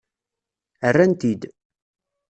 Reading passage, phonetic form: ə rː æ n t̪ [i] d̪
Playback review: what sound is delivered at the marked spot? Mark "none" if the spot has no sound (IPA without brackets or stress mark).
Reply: i